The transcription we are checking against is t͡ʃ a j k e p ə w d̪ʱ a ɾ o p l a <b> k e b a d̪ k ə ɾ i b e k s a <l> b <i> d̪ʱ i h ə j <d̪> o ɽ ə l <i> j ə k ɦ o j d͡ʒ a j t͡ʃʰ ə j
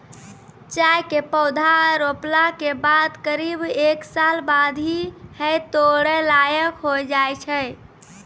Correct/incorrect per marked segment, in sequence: incorrect: none, correct, incorrect: a, incorrect: t̪, incorrect: a

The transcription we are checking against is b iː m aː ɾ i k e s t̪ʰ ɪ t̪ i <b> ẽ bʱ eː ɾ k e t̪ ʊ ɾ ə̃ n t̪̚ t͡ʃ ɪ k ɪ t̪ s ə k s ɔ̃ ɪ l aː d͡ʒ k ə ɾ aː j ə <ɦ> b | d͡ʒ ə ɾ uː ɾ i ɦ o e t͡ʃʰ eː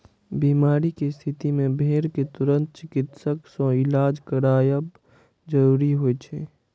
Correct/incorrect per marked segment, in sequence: incorrect: m, incorrect: none

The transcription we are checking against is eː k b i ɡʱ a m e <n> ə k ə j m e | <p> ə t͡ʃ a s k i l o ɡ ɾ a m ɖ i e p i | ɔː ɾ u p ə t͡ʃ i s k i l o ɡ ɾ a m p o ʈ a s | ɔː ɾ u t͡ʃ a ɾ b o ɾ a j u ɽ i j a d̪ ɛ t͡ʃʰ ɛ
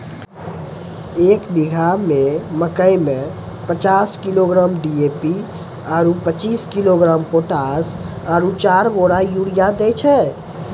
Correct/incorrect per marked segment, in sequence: incorrect: m, correct

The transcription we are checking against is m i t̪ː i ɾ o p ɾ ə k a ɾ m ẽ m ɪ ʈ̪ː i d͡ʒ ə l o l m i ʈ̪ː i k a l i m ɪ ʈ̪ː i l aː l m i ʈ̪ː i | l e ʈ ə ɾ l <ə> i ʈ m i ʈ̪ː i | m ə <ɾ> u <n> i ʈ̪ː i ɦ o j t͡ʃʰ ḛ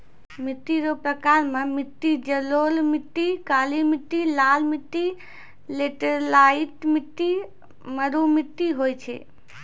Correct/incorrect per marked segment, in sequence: incorrect: a, correct, incorrect: m

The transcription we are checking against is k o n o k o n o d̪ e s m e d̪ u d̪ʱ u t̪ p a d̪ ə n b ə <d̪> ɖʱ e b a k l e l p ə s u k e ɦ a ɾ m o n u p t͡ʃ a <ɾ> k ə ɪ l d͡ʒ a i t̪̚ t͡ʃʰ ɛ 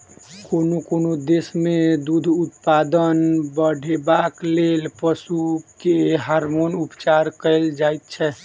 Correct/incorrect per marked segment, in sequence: incorrect: none, correct

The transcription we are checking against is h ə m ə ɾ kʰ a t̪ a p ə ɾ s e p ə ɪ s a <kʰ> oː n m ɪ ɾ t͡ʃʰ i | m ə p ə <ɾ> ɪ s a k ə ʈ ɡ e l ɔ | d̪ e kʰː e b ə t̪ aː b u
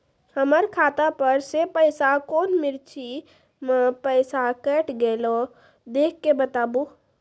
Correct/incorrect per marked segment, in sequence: incorrect: k, incorrect: none

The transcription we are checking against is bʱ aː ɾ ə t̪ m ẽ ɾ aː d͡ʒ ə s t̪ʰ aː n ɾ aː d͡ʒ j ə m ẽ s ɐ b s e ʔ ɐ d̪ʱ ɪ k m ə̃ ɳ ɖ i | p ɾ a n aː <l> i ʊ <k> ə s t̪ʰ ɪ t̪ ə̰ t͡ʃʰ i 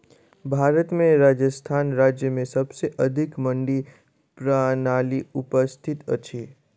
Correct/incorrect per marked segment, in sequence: correct, incorrect: p

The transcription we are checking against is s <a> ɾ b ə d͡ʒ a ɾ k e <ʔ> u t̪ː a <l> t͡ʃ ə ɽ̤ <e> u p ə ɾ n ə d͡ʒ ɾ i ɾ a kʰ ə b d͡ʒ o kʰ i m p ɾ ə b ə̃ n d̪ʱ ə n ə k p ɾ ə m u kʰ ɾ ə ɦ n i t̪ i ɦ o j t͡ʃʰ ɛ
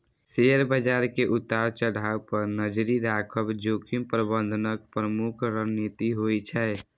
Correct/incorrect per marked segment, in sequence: incorrect: e, correct, incorrect: ɾ, incorrect: a

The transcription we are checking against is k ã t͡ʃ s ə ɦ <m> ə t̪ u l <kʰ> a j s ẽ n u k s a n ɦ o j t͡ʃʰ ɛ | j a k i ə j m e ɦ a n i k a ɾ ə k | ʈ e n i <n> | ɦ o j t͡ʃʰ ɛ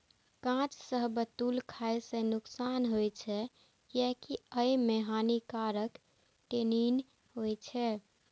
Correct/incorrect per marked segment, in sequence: incorrect: b, correct, correct

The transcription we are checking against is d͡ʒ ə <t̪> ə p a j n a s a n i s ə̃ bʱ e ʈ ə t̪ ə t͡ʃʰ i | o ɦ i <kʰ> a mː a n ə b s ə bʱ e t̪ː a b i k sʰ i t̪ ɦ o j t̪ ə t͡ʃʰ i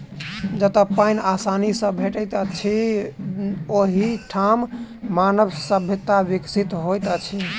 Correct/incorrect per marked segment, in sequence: correct, incorrect: ʈʰ

